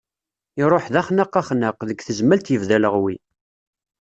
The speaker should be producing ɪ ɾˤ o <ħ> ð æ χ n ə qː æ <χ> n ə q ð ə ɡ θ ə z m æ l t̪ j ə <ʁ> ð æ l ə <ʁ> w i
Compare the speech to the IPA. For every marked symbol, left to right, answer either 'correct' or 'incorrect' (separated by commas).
correct, correct, incorrect, correct